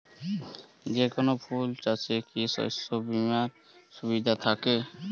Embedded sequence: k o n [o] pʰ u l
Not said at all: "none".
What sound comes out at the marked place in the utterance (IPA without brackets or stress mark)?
o